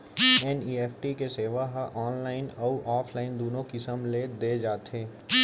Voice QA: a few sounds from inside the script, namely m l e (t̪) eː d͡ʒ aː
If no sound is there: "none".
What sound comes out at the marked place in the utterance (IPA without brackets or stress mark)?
d̪